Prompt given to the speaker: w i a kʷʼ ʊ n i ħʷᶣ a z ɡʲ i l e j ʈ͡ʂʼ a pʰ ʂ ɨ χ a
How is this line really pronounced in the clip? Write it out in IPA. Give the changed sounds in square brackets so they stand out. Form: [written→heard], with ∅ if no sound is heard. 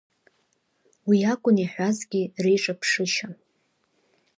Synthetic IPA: w i a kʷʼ ʊ n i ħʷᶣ a z ɡʲ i [l→r] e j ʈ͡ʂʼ a pʰ ʂ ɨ [χ→ʃ] a